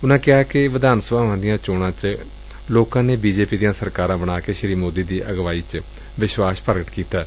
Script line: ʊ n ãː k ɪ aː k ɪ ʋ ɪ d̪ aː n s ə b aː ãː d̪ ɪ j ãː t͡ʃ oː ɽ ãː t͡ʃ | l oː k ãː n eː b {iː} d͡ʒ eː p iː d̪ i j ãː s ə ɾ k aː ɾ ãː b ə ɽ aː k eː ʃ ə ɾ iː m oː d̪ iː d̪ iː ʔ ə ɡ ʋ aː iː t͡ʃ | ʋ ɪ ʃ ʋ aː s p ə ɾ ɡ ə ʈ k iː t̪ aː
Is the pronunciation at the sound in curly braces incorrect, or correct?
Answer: correct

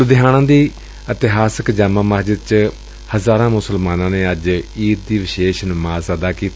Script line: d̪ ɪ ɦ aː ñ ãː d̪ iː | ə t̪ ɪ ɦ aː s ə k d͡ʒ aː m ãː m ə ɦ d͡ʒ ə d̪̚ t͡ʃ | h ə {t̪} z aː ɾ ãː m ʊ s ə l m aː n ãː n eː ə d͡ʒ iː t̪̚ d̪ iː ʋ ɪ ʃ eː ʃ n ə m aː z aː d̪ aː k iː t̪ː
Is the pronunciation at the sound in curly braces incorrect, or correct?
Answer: incorrect: none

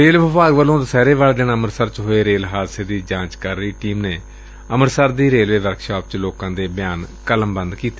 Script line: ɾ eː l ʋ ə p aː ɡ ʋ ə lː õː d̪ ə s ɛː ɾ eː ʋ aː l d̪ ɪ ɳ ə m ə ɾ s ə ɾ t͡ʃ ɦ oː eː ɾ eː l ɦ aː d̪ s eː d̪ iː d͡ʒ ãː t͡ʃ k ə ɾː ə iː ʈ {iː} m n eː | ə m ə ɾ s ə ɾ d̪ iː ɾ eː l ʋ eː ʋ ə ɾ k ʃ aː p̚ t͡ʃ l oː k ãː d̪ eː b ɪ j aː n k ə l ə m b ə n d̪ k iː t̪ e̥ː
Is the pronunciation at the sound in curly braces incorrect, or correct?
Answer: correct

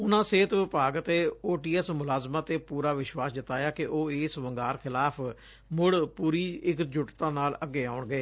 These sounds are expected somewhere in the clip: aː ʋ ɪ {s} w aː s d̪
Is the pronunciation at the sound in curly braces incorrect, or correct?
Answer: incorrect: ʃ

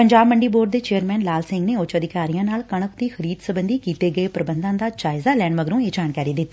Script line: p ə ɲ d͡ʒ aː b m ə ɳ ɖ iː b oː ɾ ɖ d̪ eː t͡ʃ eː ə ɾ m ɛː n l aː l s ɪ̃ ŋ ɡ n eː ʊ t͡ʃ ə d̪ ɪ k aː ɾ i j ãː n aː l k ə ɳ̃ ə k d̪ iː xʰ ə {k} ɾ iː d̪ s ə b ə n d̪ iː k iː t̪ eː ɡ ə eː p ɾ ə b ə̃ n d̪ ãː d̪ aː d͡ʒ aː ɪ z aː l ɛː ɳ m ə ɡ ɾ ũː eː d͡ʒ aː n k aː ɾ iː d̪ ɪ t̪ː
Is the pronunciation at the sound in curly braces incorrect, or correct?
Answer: incorrect: none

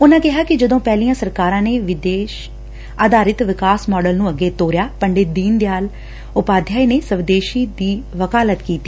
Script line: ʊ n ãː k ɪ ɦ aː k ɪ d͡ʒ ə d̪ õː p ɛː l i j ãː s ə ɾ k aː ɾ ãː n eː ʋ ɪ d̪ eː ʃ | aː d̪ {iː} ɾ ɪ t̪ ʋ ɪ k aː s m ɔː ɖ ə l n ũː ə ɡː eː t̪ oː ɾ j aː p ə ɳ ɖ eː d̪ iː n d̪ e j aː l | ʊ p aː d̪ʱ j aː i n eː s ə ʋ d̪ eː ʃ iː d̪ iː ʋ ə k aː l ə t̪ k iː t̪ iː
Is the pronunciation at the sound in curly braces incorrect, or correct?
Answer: incorrect: aː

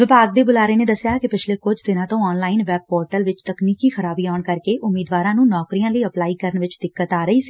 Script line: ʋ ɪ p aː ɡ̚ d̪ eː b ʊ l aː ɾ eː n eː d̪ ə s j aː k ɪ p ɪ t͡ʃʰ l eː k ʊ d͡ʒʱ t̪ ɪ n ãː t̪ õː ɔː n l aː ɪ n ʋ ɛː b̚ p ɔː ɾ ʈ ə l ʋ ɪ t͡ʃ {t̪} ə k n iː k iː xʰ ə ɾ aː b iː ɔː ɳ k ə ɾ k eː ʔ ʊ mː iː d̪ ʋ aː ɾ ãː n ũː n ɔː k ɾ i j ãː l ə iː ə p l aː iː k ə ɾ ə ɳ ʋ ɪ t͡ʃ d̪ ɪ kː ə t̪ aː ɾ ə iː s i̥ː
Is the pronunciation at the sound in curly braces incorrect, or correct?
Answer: correct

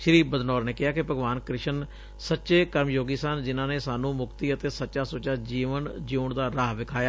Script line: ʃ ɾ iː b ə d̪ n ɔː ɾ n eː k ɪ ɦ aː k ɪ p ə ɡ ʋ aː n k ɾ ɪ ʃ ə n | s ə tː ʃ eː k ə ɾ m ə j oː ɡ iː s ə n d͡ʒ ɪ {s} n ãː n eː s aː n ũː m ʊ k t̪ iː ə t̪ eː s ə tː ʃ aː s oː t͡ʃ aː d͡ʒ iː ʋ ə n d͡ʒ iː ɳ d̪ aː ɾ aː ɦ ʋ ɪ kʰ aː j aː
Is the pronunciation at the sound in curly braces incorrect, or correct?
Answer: incorrect: none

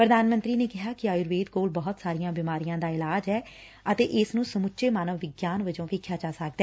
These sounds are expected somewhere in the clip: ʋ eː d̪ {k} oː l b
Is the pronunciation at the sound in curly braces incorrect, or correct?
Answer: correct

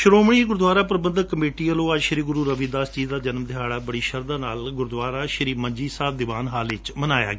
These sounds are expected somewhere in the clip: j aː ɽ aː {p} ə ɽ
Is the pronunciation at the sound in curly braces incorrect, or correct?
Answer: incorrect: b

